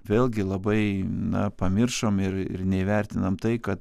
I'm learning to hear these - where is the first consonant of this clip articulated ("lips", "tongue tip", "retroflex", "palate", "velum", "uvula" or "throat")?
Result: lips